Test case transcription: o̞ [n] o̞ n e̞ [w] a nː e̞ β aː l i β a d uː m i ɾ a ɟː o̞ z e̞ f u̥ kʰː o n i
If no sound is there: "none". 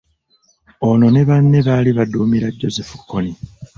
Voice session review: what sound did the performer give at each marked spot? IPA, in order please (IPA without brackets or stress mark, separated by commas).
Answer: n, β